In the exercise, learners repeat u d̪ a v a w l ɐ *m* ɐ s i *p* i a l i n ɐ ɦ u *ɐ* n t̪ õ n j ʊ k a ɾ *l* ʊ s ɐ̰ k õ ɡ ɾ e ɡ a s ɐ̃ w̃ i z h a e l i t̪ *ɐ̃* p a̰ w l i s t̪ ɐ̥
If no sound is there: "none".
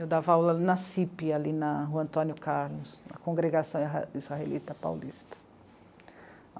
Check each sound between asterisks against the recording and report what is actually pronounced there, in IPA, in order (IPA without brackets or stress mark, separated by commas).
n, p, ɐ̃, l, ɐ